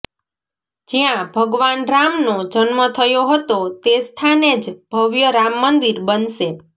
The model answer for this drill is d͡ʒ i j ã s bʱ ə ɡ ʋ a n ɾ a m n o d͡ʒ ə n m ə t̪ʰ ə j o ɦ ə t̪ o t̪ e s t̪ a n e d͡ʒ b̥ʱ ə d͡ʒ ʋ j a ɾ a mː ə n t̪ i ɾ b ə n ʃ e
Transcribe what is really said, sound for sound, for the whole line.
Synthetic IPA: d͡ʒ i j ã bʱ ə ɡ ʋ a n ɾ a m n o d͡ʒ ə n m ə t̪ʰ ə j o ɦ ə t̪ o t̪ e s t̪ʰ a n e d͡ʒ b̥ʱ ə ʋ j ə ɾ a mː ə n d̪ i ɾ b ə n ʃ e